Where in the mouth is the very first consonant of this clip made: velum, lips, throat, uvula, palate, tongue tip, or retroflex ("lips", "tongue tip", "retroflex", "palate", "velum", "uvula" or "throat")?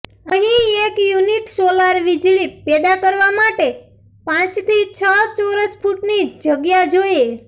throat